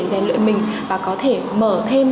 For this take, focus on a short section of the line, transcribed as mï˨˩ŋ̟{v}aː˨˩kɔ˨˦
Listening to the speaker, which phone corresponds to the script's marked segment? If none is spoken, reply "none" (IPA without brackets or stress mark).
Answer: v